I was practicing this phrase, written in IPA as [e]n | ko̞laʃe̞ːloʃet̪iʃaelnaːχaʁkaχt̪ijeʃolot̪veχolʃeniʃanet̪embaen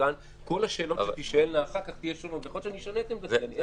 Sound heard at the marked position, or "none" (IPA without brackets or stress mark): a